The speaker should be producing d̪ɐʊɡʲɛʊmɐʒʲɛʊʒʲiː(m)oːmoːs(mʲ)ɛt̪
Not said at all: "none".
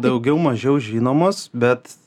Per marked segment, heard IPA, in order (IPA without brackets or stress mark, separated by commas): n, bʲ